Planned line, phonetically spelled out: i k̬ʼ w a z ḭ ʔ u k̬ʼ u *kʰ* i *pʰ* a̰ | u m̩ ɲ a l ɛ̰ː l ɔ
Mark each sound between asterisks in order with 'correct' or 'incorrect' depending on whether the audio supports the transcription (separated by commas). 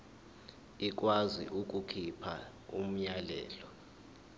correct, correct